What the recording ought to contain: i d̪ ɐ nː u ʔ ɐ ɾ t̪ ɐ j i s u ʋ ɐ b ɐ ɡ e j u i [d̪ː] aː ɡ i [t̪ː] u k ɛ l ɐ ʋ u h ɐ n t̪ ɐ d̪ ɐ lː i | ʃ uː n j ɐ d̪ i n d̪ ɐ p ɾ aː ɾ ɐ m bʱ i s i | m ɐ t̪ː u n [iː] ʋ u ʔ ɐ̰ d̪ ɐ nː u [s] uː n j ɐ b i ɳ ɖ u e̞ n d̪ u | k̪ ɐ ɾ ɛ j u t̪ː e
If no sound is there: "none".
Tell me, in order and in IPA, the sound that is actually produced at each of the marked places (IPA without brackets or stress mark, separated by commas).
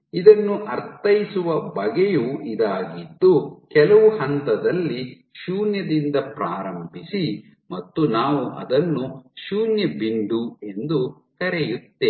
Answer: d̪, d̪ː, aː, ʃ